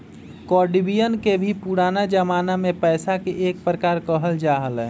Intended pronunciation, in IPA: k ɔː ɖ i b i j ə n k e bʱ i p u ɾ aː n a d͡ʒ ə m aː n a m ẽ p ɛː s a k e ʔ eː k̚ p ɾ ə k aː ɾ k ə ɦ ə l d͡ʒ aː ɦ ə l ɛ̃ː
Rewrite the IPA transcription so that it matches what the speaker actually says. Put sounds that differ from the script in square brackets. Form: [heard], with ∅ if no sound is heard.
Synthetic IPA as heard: k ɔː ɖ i b i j ə n k e bʱ i p u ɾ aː n a d͡ʒ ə m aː n a m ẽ p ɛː s a k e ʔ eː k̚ p ɾ ə k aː ɾ k ə ɦ ə l d͡ʒ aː ɦ ə l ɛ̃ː